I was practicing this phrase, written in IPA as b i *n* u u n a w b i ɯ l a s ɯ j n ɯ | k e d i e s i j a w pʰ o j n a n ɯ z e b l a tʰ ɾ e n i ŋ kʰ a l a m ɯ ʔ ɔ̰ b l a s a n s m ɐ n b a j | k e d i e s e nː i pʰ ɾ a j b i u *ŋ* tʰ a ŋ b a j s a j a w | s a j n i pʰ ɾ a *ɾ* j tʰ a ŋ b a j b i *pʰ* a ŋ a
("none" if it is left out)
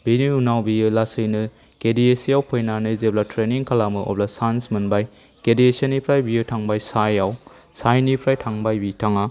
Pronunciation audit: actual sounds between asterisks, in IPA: n, none, none, tʰ

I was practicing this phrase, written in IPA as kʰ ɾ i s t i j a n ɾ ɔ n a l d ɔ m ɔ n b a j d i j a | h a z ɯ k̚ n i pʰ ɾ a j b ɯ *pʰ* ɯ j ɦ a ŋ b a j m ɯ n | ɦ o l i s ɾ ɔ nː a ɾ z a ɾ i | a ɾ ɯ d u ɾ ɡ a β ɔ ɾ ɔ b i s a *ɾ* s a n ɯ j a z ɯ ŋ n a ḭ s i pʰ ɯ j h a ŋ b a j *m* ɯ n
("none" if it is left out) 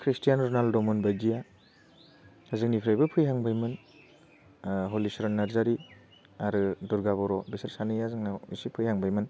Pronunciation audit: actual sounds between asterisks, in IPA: pʰ, ɾ, m

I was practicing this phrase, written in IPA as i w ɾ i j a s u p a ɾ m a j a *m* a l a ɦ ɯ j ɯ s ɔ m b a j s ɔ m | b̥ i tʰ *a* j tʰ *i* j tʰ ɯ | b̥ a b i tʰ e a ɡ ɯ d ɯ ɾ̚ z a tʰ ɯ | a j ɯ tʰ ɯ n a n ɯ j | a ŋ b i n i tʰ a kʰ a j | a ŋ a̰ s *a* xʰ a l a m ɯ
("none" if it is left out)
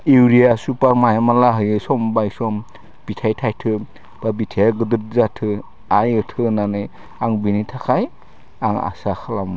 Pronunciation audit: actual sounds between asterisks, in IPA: m, a, a, a

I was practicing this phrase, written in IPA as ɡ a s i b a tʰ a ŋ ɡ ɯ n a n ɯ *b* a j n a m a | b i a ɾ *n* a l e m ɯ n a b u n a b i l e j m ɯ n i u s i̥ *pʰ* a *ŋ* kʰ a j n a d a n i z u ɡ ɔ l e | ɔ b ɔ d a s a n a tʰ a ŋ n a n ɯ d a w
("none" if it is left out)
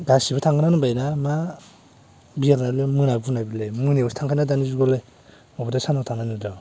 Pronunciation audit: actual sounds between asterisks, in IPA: b, n, tʰ, ŋ

